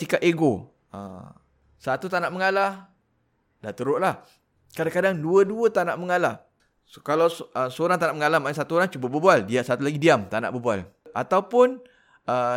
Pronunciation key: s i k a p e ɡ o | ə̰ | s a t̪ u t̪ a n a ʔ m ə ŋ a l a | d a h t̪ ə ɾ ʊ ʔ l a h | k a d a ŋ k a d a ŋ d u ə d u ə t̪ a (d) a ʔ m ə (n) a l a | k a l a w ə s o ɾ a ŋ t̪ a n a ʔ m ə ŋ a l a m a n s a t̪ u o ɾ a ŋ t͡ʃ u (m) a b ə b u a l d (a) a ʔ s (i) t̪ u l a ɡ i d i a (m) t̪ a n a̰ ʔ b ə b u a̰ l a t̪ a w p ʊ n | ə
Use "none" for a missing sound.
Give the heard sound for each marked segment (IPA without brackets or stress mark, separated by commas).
n, ŋ, b, i, a, m